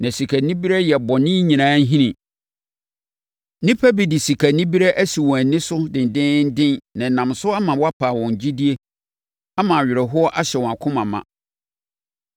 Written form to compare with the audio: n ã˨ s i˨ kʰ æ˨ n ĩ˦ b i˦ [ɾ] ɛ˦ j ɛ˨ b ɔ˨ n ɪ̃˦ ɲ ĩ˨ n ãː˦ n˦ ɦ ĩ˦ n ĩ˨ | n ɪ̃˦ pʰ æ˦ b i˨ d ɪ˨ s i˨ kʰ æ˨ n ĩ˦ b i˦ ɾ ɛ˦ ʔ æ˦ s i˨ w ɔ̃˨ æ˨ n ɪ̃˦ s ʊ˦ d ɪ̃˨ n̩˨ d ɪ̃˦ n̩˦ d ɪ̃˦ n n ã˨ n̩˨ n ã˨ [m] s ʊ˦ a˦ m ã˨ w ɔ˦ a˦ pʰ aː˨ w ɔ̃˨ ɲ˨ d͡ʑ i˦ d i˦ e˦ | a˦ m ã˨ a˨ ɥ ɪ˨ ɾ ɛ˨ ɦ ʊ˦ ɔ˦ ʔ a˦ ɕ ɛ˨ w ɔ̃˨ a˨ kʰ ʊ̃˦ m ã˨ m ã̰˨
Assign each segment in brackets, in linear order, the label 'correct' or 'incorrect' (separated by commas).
correct, correct